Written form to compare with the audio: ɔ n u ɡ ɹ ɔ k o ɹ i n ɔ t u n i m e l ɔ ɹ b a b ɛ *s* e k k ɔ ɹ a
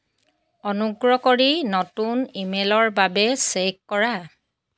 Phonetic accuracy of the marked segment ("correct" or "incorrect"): correct